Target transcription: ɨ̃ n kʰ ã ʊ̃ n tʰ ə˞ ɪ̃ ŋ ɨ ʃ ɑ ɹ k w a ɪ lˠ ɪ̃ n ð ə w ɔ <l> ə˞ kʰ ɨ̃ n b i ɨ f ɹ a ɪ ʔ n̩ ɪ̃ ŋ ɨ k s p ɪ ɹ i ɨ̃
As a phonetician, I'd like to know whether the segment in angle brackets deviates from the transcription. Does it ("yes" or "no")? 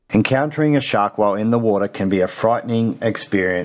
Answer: yes